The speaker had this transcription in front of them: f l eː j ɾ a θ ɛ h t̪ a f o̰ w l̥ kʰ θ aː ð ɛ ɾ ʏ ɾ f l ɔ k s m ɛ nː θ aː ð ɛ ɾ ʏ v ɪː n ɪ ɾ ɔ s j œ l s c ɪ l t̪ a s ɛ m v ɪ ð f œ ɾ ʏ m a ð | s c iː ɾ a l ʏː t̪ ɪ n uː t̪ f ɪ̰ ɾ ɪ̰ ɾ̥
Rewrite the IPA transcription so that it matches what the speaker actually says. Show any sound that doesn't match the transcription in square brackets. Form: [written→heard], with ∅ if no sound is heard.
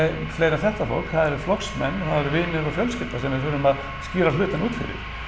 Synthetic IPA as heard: f l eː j ɾ a θ ɛ h t̪ a f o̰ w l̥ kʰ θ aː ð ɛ ɾ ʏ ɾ f l ɔ k s m ɛ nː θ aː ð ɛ ɾ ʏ v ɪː n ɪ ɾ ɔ [s→f] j œ l s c ɪ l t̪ a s ɛ m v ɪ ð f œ ɾ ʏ m a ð | s c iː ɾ a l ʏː t̪ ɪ n uː t̪ f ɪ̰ ɾ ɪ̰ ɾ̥